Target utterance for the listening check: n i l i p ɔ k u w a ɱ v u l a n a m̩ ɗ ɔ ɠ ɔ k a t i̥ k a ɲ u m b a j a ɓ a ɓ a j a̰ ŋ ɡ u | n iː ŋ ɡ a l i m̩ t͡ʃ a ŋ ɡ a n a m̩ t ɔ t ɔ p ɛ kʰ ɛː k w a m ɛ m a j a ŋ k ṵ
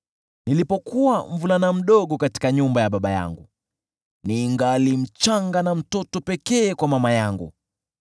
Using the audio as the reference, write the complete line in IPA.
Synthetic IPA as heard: n i l i p ɔ k u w a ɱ v u l a n a m̩ ɗ ɔ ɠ ɔ k a t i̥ k a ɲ u m b a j a ɓ a ɓ a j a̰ ŋ ɡ u | n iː ŋ ɡ a l i m̩ t͡ʃ a ŋ ɡ a n a m̩ t ɔ t ɔ p ɛ k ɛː k w a m a m a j a ŋ ɡ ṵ